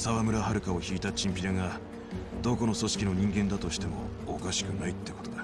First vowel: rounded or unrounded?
unrounded